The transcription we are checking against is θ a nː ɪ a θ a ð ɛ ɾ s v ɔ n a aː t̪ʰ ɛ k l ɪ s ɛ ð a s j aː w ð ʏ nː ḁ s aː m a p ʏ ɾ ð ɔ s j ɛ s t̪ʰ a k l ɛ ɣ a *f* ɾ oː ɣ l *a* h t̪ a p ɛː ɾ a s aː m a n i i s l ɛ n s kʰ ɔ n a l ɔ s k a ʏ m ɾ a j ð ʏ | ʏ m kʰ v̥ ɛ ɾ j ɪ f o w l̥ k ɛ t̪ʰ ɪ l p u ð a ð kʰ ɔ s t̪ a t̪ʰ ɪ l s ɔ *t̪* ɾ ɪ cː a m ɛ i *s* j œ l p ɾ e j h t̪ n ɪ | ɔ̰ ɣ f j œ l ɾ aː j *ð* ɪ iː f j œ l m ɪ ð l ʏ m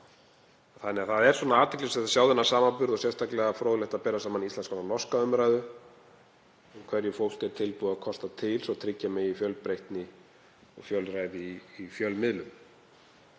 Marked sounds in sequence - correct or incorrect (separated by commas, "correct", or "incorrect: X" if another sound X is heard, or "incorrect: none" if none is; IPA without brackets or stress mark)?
correct, incorrect: ɛ, incorrect: t̪ʰ, incorrect: f, correct